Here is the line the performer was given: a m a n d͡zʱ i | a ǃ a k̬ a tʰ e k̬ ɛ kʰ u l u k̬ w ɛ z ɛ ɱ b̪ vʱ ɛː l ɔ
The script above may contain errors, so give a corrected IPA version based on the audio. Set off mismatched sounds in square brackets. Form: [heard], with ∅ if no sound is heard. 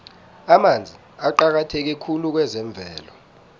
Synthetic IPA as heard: a m a n d͡zʱ i | a ǃ a k̬ a tʰ e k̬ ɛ kʰ u l u k̬ w ɛ z ɛ ɱ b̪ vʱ ɛː l ɔ